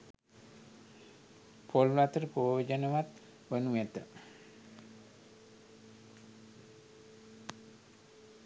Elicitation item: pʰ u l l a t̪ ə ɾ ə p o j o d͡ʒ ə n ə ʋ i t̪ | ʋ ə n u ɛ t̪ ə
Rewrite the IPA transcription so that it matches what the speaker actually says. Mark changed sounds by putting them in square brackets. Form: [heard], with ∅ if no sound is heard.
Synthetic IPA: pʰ [o] l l a t̪ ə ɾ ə p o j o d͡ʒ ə n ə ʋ [a] t̪ | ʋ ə n u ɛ t̪ ə